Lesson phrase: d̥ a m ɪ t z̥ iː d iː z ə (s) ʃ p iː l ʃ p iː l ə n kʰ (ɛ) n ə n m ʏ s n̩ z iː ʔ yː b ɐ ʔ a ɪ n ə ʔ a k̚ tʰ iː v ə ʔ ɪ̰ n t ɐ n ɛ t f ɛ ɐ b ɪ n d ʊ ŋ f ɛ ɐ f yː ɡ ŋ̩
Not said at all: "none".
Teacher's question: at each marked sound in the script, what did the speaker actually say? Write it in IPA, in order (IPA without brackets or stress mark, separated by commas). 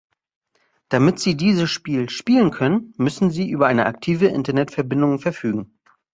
s, œ